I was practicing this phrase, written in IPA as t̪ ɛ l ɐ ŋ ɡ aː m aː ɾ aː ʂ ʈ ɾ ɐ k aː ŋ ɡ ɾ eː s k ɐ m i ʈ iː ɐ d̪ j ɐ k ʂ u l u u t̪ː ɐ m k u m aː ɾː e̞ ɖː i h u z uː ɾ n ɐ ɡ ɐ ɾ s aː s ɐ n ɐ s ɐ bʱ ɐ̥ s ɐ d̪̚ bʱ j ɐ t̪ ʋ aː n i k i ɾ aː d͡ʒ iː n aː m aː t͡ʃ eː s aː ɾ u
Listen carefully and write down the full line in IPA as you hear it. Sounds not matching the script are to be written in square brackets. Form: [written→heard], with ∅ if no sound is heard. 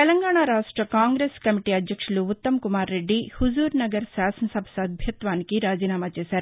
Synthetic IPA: t̪ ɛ l ɐ ŋ ɡ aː [m→ɳ] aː ɾ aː ʂ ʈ ɾ ɐ k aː ŋ ɡ ɾ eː s k ɐ m i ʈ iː ɐ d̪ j ɐ k ʂ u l u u t̪ː ɐ m k u m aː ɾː e̞ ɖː i h u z uː ɾ n ɐ ɡ ɐ ɾ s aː s ɐ n ɐ s ɐ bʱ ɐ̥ s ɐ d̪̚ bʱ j ɐ t̪ ʋ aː n i k i ɾ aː d͡ʒ iː n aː m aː t͡ʃ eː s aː ɾ u

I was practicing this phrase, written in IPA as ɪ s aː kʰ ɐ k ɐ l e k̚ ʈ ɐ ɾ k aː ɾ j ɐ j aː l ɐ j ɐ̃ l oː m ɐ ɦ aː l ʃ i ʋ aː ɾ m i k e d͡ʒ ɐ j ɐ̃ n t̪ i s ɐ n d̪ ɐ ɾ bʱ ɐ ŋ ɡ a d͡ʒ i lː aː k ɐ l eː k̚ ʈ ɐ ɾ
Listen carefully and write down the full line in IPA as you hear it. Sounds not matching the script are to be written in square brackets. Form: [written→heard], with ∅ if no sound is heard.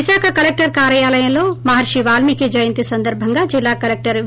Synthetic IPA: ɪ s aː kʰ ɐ k ɐ l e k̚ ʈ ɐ ɾ k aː ɾ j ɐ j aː l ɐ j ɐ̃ l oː m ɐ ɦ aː [l→ɾ] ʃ i ʋ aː [ɾ→l] m i k e d͡ʒ ɐ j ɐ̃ n t̪ i s ɐ n d̪ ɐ ɾ bʱ ɐ ŋ ɡ a d͡ʒ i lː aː k ɐ l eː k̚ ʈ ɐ ɾ

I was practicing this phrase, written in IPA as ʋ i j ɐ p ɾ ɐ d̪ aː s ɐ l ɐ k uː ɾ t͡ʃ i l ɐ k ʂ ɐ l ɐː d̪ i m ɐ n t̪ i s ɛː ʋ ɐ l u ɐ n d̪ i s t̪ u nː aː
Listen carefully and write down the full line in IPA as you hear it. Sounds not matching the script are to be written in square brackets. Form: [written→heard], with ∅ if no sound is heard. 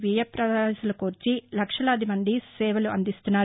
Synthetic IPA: ʋ i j ɐ p ɾ ɐ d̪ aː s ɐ l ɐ k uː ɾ t͡ʃ i l ɐ k ʂ ɐ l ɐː d̪ i m ɐ n [t̪→d̪] i s ɛː ʋ ɐ l u ɐ n d̪ i s t̪ u nː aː

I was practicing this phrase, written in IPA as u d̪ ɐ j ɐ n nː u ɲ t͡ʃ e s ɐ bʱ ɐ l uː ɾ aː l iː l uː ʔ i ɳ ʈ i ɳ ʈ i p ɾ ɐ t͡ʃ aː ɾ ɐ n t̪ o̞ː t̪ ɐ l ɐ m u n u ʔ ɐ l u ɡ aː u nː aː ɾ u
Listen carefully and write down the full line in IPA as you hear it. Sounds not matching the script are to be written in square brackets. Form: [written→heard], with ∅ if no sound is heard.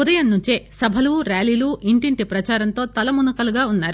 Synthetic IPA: u d̪ ɐ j ɐ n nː u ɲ t͡ʃ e s ɐ bʱ ɐ l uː ɾ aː l iː l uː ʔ i ɳ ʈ i ɳ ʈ i p ɾ ɐ t͡ʃ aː ɾ ɐ n t̪ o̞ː t̪ ɐ l ɐ m u n u [ʔ→k] ɐ l u ɡ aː u nː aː ɾ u

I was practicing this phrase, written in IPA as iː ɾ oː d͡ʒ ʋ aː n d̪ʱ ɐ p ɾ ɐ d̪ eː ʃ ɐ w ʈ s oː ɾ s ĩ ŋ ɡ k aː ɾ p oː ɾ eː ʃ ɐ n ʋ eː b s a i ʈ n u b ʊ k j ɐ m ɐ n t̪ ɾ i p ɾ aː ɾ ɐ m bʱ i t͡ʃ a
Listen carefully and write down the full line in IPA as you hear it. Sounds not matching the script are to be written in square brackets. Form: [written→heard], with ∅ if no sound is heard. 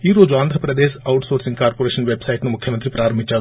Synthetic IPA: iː ɾ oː d͡ʒ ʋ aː n d̪ʱ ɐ p ɾ ɐ d̪ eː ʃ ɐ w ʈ s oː ɾ s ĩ ŋ ɡ k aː ɾ p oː ɾ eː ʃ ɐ n ʋ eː b s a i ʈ n u [b→m] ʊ [k→kʰ] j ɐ m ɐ n t̪ ɾ i p ɾ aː ɾ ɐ m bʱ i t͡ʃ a

